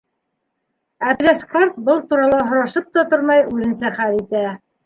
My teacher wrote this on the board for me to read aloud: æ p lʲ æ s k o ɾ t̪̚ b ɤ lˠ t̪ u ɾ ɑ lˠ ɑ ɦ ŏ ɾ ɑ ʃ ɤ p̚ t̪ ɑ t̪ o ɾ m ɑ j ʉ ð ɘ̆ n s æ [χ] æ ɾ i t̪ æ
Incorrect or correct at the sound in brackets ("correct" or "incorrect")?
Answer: correct